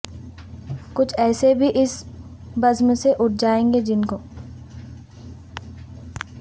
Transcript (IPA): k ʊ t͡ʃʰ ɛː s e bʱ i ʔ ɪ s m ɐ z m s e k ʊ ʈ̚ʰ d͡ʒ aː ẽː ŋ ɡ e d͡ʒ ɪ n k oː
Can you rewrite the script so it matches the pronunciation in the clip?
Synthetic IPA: k ʊ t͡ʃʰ ɛː s e bʱ i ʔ ɪ s b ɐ z m s e ʔ ʊ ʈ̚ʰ d͡ʒ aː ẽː ŋ ɡ e d͡ʒ ɪ n k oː